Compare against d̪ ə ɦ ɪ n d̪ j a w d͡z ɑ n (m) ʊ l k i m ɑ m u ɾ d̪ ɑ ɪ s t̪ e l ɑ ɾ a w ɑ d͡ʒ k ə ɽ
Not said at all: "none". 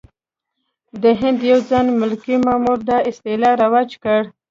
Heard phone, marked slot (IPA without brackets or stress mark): m